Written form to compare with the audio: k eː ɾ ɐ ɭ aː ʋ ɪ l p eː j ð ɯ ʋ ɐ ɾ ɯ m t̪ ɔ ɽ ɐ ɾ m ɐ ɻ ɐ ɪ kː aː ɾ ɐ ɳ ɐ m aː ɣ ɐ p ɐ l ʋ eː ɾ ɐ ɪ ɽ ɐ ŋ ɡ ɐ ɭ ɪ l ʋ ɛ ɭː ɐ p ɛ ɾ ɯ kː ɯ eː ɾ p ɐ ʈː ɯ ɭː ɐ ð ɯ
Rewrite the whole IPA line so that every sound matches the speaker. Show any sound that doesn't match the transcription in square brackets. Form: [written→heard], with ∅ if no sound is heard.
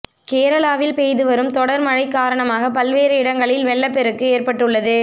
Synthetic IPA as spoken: k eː ɾ ɐ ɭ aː ʋ ɪ l p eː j ð ɯ ʋ ɐ ɾ ɯ m t̪ ɔ ɽ ɐ ɾ m ɐ ɻ ɐ ɪ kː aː ɾ ɐ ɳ ɐ m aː ɣ ɐ p ɐ l ʋ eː ɾ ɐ ɪ ɽ ɐ ŋ ɡ ɐ ɭ ɪ l ʋ ɛ ɭː ɐ p ɛ ɾ ɯ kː ɯ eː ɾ p ɐ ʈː ɯ ɭː ɐ ð ɯ